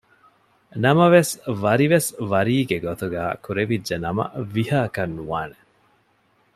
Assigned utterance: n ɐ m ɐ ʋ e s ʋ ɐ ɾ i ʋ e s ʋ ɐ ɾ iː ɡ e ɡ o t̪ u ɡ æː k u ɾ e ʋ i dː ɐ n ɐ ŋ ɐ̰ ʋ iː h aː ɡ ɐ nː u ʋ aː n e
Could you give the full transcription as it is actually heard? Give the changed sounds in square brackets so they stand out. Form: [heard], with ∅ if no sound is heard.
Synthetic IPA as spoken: n ɐ m ɐ ʋ e s ʋ ɐ ɾ i ʋ e s ʋ ɐ ɾ iː ɡ e ɡ o t̪ u ɡ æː k u ɾ e ʋ i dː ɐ n ɐ [m] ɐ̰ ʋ [i] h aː [k] ɐ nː u ʋ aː n e